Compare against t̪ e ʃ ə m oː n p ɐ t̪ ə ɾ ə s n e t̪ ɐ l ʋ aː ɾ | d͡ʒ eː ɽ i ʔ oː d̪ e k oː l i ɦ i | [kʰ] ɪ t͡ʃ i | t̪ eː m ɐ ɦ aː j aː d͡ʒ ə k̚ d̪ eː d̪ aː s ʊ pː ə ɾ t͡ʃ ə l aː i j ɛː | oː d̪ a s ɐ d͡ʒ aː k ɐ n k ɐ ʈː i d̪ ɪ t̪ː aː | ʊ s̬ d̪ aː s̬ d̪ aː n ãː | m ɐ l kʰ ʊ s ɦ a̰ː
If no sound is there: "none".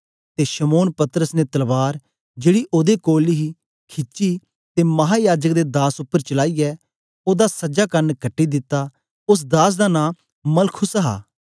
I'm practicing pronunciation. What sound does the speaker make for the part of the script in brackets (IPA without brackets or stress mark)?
kʰ